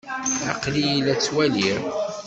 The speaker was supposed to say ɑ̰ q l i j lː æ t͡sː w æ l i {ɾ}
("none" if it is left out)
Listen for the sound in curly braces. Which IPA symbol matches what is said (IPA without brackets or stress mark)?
ɾ